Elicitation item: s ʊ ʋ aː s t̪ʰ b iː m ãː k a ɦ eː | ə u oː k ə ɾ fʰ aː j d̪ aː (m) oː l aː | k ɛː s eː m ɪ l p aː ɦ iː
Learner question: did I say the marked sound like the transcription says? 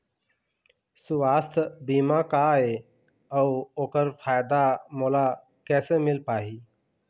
yes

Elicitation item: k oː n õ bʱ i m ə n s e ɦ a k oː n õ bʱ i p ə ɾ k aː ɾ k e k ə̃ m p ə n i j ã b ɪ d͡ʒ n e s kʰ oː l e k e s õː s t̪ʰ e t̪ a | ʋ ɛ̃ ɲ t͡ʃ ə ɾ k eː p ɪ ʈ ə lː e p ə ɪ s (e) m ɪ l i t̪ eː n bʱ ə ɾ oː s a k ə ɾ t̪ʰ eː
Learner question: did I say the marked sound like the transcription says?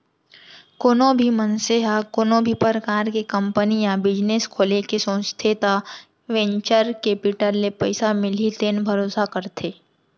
no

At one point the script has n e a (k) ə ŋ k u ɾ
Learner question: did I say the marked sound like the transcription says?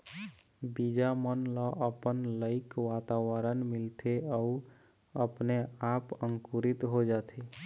no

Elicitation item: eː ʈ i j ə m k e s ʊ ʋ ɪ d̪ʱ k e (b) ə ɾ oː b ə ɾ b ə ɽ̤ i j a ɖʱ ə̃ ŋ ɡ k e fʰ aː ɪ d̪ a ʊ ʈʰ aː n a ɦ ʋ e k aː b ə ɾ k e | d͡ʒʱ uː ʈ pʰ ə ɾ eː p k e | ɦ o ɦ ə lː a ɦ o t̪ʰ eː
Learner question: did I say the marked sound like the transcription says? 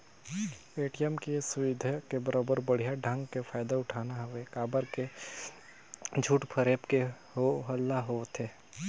yes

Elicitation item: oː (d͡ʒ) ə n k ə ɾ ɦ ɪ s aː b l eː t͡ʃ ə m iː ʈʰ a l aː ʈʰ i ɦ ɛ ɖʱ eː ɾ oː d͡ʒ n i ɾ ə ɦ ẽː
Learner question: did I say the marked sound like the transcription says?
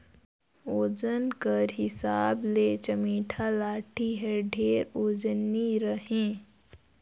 yes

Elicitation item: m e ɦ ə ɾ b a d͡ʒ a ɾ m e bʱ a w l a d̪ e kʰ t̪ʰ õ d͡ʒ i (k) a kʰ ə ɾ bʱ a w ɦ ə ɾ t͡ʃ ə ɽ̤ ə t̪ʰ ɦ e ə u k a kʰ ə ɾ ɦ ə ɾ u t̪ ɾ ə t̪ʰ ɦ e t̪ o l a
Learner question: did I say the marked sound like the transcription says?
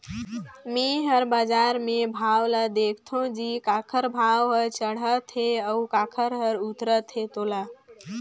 yes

